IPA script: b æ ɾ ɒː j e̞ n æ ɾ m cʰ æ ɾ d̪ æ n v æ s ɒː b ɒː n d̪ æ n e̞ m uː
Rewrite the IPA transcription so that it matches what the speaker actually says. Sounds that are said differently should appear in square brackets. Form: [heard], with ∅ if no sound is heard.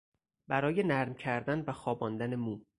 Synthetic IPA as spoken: b æ ɾ ɒː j e̞ n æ ɾ m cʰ æ ɾ d̪ æ n v æ [x] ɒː b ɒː n d̪ æ n e̞ m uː